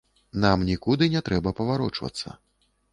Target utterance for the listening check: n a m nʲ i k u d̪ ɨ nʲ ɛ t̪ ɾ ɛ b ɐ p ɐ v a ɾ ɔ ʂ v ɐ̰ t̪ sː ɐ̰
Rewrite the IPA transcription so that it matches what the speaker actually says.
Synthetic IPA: n a m nʲ i k u d̪ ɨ nʲ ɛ t̪ ɾ ɛ b ɐ p ɐ v a ɾ ɔ t͡ʂ v ɐ̰ t̪ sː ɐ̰